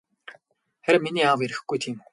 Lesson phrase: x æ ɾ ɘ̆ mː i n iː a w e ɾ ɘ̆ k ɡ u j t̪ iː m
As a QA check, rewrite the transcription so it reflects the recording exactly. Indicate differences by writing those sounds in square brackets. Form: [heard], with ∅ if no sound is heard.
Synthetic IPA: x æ ɾ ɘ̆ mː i n iː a w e ɾ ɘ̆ [x] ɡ u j [t̪ʰ] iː m

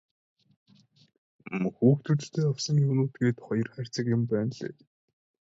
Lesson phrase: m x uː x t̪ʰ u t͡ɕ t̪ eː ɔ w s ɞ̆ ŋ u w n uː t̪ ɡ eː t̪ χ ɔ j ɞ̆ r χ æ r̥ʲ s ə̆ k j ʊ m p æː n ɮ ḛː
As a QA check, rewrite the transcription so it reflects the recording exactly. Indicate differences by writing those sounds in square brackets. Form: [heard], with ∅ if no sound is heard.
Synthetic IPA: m x uː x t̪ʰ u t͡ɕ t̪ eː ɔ w s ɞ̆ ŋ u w n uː t̪ ɡ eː t̪ χ ɔ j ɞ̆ r χ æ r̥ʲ [t͡s] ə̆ k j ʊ m p æː n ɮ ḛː

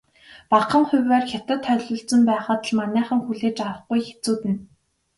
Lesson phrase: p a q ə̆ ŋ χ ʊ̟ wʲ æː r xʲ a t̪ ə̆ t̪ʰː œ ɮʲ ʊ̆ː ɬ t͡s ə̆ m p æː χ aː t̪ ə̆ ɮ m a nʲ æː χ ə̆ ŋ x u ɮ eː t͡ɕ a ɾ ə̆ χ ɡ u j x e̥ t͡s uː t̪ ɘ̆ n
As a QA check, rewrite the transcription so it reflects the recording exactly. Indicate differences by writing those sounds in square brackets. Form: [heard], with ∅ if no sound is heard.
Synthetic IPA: p a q ə̆ ŋ χ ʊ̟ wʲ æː r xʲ a t̪ ə̆ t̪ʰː œ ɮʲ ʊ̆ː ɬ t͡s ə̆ m p æː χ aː t̪ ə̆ ɮ m a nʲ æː χ ə̆ ŋ x u ɮ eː t͡ɕ a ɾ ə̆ χ ɡ u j x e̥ t͡s uː t̪ ɘ̆ n

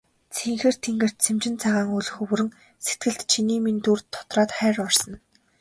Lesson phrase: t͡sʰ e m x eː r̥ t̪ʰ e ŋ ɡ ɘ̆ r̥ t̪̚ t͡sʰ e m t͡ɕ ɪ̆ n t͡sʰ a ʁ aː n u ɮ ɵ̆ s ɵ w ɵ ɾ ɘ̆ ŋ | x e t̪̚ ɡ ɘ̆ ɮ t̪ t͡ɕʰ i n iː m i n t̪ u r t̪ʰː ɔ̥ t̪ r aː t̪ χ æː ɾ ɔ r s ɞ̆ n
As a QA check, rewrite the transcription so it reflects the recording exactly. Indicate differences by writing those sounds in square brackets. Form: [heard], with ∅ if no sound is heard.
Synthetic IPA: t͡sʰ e [ŋ] x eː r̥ t̪ʰ e ŋ ɡ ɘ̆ r̥ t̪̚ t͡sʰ e m t͡ɕ ɪ̆ n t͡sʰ a ʁ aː [ŋ] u ɮ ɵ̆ [x] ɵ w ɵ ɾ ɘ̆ ŋ | [s] e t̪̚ ɡ ɘ̆ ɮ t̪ t͡ɕʰ i n iː m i n t̪ u r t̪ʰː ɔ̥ t̪ r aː t̪ χ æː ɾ ɔ r s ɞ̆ n

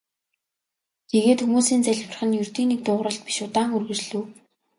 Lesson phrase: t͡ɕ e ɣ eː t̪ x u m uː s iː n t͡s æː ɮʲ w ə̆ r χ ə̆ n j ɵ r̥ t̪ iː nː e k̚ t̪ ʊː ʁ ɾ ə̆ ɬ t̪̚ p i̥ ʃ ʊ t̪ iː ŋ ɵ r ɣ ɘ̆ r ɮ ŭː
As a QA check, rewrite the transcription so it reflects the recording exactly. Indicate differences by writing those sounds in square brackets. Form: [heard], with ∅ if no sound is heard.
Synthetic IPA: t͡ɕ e ɣ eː t̪ x u m uː s iː n t͡s [æ] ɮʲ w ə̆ r χ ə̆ n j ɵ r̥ t̪ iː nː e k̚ t̪ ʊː ʁ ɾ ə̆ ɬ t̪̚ p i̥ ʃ ʊ t̪ [aː] ŋ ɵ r ɣ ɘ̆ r ɮ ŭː

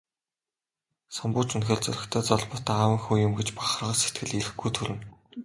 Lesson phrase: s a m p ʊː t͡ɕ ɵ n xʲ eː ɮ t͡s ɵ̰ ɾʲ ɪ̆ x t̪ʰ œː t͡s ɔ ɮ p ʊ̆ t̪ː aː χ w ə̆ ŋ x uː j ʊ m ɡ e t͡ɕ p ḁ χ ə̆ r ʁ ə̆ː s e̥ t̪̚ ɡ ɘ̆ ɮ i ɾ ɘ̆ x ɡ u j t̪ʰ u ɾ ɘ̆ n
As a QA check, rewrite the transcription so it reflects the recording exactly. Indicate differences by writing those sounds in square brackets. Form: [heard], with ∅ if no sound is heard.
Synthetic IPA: s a m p ʊː t͡ɕ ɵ n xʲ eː ɮ t͡s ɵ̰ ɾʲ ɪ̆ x t̪ʰ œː t͡s ɔ ɮ p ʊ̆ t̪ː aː [∅] w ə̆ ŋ x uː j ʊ m ɡ e t͡ɕ p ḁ χ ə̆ r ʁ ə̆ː s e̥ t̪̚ ɡ ɘ̆ ɮ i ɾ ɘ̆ x ɡ u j t̪ʰ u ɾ ɘ̆ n

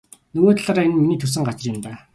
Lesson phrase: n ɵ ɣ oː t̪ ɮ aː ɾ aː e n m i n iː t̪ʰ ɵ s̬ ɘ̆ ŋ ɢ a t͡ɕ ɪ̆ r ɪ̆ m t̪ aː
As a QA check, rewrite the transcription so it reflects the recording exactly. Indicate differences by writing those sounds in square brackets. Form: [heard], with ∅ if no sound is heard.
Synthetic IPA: n ɵ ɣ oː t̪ ɮ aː ɾ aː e n m i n iː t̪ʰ ɵ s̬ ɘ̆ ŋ ɢ a t͡ɕ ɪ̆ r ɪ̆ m t̪ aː

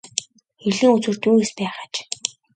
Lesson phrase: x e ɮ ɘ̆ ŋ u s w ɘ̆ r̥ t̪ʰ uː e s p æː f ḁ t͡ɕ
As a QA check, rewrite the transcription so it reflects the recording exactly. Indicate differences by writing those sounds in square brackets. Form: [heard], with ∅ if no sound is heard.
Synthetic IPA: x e ɮ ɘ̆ ŋ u [t͡s] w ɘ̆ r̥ [t̪] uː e s p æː [χ] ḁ t͡ɕ

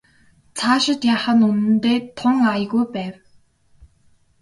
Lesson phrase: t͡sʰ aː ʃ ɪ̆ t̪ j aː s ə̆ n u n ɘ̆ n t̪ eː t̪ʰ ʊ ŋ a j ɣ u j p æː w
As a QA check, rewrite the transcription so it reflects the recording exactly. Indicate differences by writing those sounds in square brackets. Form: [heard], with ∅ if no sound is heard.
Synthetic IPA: t͡sʰ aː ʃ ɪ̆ t̪ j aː [χ] ə̆ n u n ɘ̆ n t̪ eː t̪ʰ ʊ ŋ a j ɣ u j p æː w

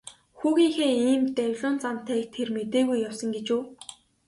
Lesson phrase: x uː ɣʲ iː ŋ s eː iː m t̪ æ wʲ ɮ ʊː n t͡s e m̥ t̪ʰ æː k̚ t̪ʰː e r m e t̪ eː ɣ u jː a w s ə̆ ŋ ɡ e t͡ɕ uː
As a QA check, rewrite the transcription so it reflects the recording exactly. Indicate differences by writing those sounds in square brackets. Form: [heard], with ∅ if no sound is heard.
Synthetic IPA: x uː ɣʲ iː ŋ [x] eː iː m t̪ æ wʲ ɮ ʊː n t͡s [a] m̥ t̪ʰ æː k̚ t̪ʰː e r m e t̪ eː ɣ u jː a w s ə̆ ŋ ɡ e t͡ɕ uː

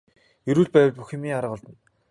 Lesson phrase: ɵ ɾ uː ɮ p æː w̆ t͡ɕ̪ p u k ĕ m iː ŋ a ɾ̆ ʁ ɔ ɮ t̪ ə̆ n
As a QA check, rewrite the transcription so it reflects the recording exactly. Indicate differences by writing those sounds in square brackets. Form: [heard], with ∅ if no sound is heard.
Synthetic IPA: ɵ ɾ uː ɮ p æː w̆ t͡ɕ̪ p u [x] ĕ m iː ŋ a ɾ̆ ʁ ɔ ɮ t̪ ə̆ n

